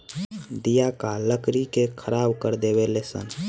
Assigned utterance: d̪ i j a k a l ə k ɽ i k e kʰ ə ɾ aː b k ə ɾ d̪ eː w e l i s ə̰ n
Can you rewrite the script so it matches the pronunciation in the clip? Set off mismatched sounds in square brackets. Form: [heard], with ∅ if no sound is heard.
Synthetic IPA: d̪ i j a k a l ə k [ɾ] i k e kʰ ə ɾ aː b k ə ɾ d̪ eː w e l [e] s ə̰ n